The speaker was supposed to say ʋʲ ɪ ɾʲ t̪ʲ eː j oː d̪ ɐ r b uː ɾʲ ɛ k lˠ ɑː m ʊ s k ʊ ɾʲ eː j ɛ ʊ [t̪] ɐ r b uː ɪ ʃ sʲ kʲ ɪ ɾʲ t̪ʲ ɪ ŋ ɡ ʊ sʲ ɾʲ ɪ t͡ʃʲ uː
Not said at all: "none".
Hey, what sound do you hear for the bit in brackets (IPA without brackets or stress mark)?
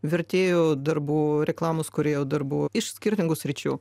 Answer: d̪